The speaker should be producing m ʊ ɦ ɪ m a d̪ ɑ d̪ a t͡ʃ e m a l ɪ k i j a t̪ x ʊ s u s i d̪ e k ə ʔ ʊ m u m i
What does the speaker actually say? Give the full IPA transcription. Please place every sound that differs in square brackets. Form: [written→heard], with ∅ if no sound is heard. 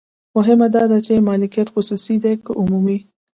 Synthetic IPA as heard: m ʊ ɦ ɪ m a d̪ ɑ d̪ a t͡ʃ e m [a→ɑ] l ɪ k i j a t̪ x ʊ s u s i d̪ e k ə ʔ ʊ m u m i